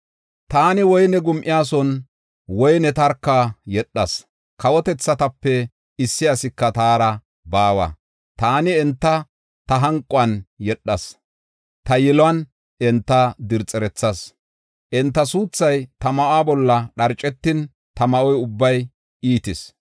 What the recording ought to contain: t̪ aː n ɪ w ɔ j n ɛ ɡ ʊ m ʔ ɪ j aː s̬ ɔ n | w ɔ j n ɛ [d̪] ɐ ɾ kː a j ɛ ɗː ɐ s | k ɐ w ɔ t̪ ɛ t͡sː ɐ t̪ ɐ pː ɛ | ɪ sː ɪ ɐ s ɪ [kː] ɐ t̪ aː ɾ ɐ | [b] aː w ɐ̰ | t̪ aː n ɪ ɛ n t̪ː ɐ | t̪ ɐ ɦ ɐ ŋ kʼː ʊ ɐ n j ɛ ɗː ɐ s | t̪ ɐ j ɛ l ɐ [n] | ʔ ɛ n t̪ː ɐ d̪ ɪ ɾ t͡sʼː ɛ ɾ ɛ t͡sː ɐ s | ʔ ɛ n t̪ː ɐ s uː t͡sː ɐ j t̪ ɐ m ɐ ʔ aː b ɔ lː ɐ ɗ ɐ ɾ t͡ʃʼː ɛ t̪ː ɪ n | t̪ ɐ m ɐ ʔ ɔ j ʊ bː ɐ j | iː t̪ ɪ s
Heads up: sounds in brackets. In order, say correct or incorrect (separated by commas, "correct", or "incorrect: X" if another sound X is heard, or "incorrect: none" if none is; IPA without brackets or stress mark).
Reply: incorrect: t̪, correct, correct, correct